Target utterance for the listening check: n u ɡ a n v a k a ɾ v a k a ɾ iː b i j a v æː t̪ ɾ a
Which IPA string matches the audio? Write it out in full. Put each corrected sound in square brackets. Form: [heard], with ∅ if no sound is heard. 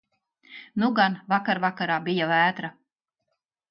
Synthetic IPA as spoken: n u ɡ a n v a k a ɾ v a k a ɾ [aː] b i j a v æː t̪ ɾ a